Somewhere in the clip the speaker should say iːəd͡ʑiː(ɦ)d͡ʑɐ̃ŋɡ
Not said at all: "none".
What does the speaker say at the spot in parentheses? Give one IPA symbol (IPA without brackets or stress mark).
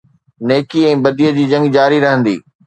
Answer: none